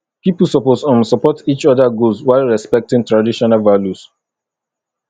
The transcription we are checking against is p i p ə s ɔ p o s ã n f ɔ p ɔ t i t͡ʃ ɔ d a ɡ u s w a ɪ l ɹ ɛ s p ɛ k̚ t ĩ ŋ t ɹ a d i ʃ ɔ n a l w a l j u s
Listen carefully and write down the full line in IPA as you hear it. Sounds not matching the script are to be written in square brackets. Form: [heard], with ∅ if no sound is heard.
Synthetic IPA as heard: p i p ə s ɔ p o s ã n [s] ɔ p ɔ t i t͡ʃ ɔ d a ɡ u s w a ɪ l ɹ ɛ s p ɛ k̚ t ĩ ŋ t ɹ a d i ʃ ɔ n a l [v] a l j u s